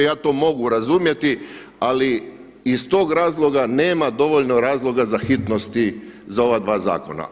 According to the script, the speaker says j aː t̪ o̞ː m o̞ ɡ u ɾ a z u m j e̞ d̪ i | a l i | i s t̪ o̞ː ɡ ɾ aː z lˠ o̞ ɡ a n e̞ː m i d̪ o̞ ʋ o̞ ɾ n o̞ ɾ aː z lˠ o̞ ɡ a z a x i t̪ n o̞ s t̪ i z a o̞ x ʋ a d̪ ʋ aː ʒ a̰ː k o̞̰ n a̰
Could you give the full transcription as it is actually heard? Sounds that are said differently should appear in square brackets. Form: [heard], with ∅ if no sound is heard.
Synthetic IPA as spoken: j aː t̪ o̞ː m o̞ ɡ u ɾ a z u m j e̞ [t̪] i | a l i | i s t̪ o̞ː ɡ ɾ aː z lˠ o̞ ɡ a n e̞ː m [a] d̪ o̞ ʋ o̞ [ʎ] n o̞ ɾ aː z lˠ o̞ ɡ a z a x i t̪ n o̞ s t̪ i z a o̞ [∅] ʋ a d̪ ʋ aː [z] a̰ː k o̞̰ n a̰

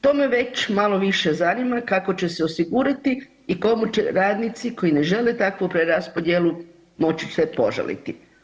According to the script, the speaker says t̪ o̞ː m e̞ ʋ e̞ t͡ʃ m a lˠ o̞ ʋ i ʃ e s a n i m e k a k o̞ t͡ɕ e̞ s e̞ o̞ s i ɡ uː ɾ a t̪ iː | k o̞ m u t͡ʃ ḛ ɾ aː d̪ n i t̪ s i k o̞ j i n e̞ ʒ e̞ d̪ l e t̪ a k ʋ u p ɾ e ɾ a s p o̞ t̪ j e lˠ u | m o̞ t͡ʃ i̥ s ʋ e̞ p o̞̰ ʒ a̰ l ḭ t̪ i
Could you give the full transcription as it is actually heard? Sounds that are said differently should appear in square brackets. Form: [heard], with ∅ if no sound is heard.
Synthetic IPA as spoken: t̪ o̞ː m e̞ ʋ e̞ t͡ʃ m a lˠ o̞ ʋ i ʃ e [z] a n i m [a] k a k o̞ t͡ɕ e̞ s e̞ o̞ s i ɡ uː ɾ a t̪ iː | k o̞ m u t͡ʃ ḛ ɾ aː d̪ n i t̪ s i k o̞ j i n e̞ ʒ e̞ [∅] l e t̪ a k ʋ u p ɾ e ɾ a s p o̞ [d̪] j e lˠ u | m o̞ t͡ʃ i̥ s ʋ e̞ p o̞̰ ʒ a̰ l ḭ t̪ i

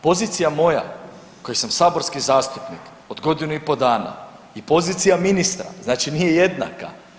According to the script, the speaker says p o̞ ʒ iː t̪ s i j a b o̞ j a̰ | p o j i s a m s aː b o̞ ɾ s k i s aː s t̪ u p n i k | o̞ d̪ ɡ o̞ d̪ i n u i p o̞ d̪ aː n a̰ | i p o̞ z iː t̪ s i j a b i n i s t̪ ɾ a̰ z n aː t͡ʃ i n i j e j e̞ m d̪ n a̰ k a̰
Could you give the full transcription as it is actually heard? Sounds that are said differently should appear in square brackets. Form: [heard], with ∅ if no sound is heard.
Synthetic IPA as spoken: p o̞ [z] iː t̪ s i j a [m] o̞ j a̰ | [k] o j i s a m s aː b o̞ ɾ s k i [z] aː s t̪ u p n i k | o̞ d̪ ɡ o̞ d̪ i n u i p o̞ d̪ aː n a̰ | i p o̞ z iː t̪ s i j a [m] i n i s t̪ ɾ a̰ z n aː t͡ʃ i n i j e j e̞ [∅] d̪ n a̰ k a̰

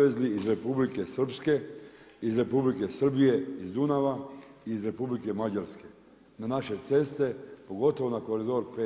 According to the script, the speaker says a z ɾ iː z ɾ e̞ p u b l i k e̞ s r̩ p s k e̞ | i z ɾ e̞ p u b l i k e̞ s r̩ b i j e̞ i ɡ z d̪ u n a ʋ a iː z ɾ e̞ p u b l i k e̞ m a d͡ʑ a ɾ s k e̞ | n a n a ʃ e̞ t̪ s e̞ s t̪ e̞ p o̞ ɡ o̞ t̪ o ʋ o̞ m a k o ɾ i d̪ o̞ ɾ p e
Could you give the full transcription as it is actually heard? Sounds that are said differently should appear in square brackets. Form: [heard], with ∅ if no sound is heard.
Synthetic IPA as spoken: [e] z [l] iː z ɾ e̞ p u b l i k e̞ s r̩ p s k e̞ | i z ɾ e̞ p u b l i k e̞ s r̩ b i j e̞ i [∅] z d̪ u n a ʋ a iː z ɾ e̞ p u b l i k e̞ m a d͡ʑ a ɾ s k e̞ | n a n a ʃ e̞ t̪ s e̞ s t̪ e̞ p o̞ ɡ o̞ t̪ o ʋ o̞ [n] a k o ɾ i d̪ o̞ ɾ p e

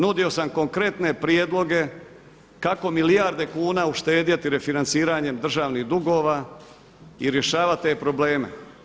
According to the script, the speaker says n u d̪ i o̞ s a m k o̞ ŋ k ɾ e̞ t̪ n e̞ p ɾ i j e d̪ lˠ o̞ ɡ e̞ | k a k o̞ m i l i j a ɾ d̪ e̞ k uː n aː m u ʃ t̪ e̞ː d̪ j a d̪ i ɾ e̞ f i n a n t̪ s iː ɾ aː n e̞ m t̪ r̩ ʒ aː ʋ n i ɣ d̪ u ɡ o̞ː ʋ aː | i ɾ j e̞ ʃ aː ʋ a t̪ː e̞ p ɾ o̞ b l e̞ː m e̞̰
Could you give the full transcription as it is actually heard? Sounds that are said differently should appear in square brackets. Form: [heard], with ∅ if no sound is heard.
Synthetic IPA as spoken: n u d̪ i o̞ s a m k o̞ ŋ k ɾ e̞ t̪ n e̞ p ɾ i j e d̪ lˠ o̞ ɡ e̞ | k a k o̞ m i l i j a ɾ d̪ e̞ k uː n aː [∅] u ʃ t̪ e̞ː d̪ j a [t̪] i ɾ e̞ f i n a n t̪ s iː ɾ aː [ɲ] e̞ m [d̪] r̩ ʒ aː ʋ n i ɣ d̪ u ɡ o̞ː ʋ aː | i ɾ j e̞ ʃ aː ʋ a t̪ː e̞ p ɾ o̞ b l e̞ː m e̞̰

